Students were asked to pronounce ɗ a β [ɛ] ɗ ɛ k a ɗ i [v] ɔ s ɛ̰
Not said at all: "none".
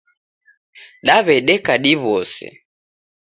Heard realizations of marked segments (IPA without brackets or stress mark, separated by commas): ɛ, β